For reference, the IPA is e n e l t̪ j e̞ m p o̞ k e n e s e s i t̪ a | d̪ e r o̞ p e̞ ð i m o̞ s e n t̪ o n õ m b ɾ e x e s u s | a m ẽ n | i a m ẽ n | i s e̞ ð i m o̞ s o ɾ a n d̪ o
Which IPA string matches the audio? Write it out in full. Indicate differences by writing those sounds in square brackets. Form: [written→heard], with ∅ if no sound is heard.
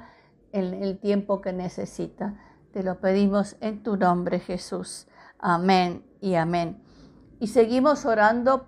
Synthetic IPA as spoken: e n e l t̪ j e̞ m p o̞ k e n e s e s i t̪ a | [d̪→t̪] e [r→l] o̞ p e̞ ð i m o̞ s e n t̪ [o→u] n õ m b ɾ e x e s u s | a m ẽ n | i a m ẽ n | i s e̞ [ð→ɣ] i m o̞ s o ɾ a n d̪ o